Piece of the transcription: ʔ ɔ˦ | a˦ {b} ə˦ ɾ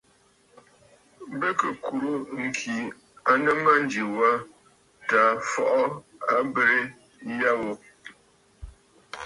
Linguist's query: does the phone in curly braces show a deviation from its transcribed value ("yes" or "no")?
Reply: no